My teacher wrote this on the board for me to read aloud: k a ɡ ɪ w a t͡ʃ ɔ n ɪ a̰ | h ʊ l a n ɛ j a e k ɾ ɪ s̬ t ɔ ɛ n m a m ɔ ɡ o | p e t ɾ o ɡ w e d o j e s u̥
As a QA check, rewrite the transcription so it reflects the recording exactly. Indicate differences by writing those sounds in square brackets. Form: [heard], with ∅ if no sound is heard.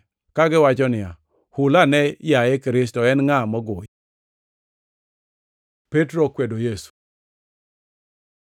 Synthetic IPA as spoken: k a ɡ ɪ w a t͡ʃ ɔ n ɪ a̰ | h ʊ l a n ɛ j a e k ɾ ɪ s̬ t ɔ ɛ n [ŋ] a m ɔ ɡ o | p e t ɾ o [k] w e d o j e s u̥